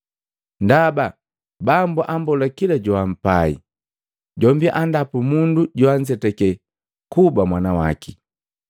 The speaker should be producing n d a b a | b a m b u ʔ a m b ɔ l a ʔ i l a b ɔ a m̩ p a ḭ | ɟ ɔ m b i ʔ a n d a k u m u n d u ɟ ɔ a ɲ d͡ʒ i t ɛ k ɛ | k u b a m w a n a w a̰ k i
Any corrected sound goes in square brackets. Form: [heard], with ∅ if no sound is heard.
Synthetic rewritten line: n d a b a | b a m b u ʔ a m b ɔ l a [k] i l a [ɟ] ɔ a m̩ p a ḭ | ɟ ɔ m b i ʔ a n d a [p] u m u n d u ɟ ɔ a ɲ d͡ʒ [ɛ] t ɛ k ɛ | k u b a m w a n a w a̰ k i